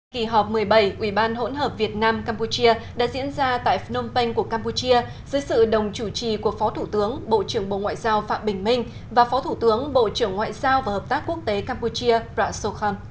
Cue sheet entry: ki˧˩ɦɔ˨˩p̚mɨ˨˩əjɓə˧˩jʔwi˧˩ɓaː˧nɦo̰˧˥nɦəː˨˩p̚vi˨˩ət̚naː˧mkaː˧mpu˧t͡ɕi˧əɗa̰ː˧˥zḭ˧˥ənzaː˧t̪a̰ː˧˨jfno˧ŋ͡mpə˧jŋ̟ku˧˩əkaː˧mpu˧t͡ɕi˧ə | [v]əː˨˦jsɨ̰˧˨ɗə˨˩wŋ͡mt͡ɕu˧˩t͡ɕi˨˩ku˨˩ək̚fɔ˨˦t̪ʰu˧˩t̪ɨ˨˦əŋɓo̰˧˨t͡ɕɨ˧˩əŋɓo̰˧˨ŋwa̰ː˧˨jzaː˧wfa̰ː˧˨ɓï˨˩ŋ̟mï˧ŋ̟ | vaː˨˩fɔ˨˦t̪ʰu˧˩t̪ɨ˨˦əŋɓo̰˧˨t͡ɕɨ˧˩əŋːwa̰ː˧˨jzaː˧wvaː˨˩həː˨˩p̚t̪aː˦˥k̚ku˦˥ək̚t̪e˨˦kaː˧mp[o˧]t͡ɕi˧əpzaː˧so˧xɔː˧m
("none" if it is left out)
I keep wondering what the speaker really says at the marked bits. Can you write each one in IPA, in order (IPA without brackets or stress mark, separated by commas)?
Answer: z, u˧